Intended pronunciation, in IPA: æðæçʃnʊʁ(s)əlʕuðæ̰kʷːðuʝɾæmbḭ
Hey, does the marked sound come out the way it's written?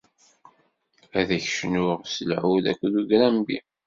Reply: yes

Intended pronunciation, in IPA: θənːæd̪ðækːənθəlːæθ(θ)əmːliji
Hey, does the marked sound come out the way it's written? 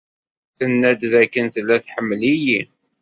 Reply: no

